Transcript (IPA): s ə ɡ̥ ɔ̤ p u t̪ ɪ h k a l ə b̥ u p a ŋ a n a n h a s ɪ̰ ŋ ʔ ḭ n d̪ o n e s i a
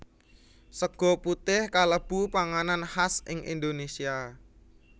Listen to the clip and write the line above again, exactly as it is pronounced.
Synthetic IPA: s ə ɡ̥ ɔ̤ p u t̪ ɪ h k a l ə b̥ u p a ŋ a n a n h a s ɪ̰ ŋ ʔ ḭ n d̪ o n e s i a